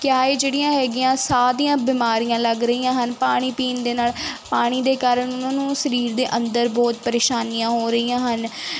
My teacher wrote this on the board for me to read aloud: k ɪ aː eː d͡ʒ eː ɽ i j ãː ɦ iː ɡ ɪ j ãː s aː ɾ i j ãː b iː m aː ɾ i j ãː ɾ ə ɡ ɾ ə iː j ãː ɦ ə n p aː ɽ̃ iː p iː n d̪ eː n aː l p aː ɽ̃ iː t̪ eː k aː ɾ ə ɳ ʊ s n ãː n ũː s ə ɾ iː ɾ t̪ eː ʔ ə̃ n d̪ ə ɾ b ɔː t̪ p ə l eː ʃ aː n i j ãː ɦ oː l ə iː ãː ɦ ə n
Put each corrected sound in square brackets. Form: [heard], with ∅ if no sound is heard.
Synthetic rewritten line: k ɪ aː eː d͡ʒ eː ɽ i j ãː ɦ [ɛː] ɡ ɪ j ãː s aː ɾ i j ãː b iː m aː ɾ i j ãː [l] ə ɡ ɾ ə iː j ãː ɦ ə n p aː ɽ̃ iː p iː n d̪ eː n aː l p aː ɽ̃ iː [d̪] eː k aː ɾ ə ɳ ʊ [∅] n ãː n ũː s ə ɾ iː ɾ [d̪] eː ʔ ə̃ n d̪ ə ɾ b ɔː t̪ p ə [ɾ] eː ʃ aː n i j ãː ɦ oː [ɾ] ə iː ãː ɦ ə n